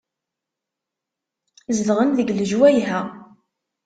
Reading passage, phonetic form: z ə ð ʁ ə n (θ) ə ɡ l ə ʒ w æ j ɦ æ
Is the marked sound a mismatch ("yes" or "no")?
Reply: yes